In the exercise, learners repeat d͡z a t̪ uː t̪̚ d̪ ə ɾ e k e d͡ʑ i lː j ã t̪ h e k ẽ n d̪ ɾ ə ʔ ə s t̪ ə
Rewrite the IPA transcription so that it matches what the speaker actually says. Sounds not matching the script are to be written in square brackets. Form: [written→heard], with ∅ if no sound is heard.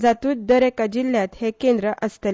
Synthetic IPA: d͡z a t̪ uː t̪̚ d̪ ə ɾ e k [e→a] d͡ʑ i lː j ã t̪ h e k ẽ n d̪ ɾ ə ʔ ə s t̪ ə